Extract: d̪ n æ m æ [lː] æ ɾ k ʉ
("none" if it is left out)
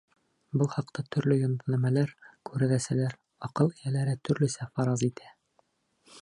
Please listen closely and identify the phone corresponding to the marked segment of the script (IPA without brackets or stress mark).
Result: l